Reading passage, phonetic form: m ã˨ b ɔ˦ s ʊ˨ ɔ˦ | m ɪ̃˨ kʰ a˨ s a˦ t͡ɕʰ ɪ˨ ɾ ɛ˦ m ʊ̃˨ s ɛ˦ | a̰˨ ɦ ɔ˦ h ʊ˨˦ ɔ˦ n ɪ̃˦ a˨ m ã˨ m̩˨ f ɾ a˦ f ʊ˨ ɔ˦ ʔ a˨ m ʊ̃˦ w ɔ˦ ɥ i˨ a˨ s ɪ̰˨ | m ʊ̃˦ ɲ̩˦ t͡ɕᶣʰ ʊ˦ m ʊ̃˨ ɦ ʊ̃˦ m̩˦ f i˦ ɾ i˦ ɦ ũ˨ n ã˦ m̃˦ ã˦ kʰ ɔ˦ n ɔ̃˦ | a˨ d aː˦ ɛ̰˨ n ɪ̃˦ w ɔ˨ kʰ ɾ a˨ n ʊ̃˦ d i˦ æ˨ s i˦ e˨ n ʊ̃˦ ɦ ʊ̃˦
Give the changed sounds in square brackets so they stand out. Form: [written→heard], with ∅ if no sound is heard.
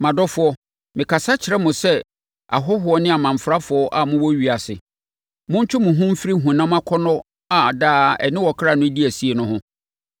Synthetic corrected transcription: m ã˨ [b→d] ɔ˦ [s→f] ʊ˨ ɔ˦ | m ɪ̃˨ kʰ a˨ s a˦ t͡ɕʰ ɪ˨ ɾ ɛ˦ m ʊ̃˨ s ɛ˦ | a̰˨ ɦ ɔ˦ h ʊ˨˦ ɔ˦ n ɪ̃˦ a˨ m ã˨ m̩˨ f ɾ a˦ f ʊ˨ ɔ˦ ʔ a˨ m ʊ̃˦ w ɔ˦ ɥ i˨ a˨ s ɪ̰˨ | m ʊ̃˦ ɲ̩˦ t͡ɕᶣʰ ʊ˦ m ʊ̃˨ ɦ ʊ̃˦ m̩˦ f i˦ ɾ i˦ ɦ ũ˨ n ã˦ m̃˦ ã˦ kʰ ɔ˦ n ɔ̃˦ | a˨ d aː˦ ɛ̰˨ n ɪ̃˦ w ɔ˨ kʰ ɾ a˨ n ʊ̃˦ d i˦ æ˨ s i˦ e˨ n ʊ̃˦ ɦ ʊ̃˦